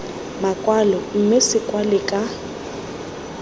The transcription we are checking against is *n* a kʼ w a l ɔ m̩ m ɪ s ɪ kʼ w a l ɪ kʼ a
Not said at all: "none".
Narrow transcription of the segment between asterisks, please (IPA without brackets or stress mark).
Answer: m